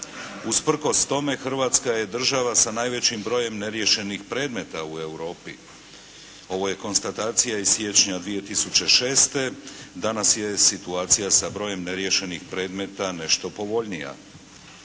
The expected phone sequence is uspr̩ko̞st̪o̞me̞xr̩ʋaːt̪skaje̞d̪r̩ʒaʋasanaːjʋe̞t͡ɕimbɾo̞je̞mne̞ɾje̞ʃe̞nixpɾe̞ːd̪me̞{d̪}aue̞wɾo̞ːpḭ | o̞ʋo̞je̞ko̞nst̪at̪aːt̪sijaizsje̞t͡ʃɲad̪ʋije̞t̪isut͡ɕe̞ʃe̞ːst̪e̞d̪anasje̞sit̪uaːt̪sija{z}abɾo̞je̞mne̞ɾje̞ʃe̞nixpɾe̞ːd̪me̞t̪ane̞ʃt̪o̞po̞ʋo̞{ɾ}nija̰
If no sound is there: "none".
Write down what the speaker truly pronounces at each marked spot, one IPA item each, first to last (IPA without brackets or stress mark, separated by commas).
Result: t̪, s, ʎ